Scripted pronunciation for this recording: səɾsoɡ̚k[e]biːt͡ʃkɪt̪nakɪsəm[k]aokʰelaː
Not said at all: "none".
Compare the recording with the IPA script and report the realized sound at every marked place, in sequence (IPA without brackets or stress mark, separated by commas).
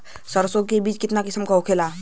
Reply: e, k